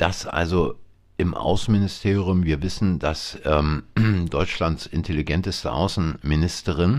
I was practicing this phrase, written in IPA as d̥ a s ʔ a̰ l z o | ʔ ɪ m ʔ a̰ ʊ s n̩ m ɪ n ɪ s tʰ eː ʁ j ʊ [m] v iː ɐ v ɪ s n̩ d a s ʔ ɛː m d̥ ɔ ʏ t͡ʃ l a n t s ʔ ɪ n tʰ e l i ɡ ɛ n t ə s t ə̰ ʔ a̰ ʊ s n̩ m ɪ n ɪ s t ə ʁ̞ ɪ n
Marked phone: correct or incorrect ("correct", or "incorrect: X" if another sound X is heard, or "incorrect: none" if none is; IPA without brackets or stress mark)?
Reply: correct